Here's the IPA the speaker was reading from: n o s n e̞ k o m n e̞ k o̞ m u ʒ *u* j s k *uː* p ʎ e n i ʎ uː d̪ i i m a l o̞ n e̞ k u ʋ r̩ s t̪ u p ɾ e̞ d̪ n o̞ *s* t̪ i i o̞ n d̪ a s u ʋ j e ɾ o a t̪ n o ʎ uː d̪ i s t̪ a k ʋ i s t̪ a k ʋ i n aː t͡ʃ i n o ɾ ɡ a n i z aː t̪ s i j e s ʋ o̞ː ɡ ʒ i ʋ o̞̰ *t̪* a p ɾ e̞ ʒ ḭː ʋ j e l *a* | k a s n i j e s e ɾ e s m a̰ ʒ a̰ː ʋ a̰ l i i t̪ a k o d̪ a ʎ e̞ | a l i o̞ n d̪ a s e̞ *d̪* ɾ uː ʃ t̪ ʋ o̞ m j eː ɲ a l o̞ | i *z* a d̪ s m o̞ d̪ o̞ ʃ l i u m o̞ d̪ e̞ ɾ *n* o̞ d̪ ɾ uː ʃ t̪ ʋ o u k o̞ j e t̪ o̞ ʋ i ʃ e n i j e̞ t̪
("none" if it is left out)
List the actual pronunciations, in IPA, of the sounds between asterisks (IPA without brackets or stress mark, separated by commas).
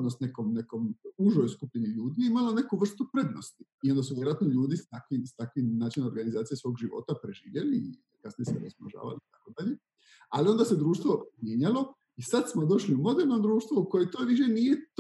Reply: o, u, s, t̪, i, d̪, s, n